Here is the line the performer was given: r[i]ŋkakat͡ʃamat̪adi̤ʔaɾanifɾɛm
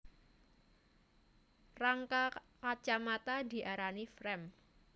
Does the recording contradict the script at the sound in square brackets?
yes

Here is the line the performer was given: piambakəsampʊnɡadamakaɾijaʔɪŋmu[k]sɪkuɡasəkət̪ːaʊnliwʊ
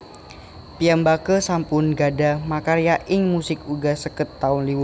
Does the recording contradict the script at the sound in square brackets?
yes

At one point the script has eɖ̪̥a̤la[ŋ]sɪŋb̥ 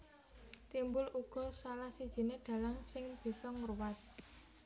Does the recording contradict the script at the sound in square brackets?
no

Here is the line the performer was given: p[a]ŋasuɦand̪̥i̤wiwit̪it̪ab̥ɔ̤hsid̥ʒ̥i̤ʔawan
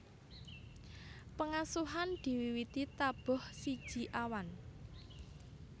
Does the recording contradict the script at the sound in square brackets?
yes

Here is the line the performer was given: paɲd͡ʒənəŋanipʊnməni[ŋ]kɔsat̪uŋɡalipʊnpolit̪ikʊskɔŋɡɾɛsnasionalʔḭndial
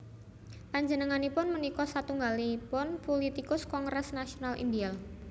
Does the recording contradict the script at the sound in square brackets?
yes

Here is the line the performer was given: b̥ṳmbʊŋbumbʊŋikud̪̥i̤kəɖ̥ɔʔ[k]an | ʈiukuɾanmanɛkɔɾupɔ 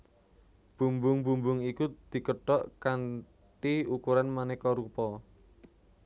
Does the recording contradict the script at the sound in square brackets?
no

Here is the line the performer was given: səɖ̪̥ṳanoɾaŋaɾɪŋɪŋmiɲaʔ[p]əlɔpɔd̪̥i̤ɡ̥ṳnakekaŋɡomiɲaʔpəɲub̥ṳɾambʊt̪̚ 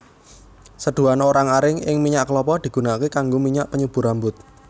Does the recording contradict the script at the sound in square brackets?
yes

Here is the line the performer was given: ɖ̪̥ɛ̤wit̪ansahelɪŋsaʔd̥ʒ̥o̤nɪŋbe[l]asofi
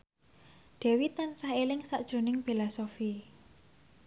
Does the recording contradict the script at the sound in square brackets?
no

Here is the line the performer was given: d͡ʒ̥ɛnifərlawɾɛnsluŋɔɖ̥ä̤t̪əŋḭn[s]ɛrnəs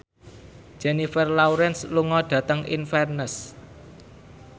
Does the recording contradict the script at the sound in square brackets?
yes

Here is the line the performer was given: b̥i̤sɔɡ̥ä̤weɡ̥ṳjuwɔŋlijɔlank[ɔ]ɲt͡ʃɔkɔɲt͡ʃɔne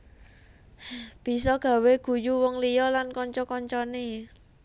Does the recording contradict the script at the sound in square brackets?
no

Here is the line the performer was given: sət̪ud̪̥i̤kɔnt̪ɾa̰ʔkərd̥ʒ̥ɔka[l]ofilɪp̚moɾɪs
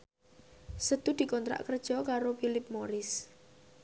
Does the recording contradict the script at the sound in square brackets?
yes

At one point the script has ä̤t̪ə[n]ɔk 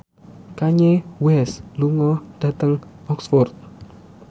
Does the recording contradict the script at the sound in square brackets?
yes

